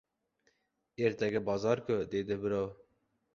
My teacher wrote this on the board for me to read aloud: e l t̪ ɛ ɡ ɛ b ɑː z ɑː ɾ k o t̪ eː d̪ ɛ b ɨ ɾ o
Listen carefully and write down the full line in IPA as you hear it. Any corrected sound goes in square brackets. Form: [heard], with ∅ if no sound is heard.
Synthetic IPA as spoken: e [ɾ] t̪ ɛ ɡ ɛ b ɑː z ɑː ɾ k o [d̪] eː d̪ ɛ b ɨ ɾ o